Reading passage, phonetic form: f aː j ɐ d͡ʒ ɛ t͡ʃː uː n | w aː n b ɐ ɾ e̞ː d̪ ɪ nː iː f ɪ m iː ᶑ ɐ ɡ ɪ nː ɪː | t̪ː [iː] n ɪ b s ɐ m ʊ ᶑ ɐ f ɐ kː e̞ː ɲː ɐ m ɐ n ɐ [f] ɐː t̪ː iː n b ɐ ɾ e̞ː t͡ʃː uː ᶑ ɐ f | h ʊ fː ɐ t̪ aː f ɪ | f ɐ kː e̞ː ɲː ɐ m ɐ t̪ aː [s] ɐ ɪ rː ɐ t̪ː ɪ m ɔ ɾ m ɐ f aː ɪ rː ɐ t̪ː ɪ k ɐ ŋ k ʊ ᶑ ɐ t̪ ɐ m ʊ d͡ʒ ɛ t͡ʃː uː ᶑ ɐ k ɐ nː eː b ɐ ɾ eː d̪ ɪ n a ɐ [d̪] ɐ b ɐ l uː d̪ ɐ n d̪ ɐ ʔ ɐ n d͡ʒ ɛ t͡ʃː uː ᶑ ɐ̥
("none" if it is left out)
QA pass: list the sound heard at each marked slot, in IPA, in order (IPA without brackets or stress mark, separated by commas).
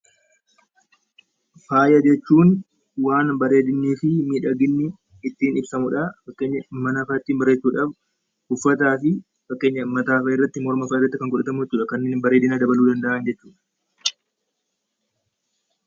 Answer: iː, f, f, d̪